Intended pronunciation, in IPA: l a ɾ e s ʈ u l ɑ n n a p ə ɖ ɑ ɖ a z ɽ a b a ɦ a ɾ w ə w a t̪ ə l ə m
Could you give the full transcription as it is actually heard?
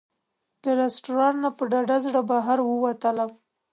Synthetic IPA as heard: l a ɾ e s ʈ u ɾ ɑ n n a p ə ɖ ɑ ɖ a z ɽ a b a ɦ a ɾ w ə w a t̪ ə l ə m